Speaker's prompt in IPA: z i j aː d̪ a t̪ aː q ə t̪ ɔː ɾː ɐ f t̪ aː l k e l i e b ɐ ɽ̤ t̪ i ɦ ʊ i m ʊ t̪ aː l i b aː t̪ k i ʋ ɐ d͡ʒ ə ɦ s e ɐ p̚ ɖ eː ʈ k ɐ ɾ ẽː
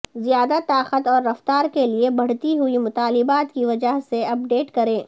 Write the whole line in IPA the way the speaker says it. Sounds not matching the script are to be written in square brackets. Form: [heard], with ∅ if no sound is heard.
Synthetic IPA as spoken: z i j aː d̪ a t̪ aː q ə t̪ ɔː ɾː ɐ f t̪ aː [ɾ] k e l i e b ɐ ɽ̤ t̪ i ɦ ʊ i m ʊ t̪ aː l [ɪ] b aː t̪ k i ʋ ɐ d͡ʒ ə ɦ s e ɐ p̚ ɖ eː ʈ k ɐ ɾ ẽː